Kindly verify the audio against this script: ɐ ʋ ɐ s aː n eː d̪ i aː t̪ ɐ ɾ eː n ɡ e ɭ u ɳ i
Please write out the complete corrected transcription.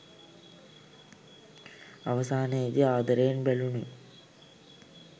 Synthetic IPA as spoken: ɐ ʋ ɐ s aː n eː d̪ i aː d̪ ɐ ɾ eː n b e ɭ u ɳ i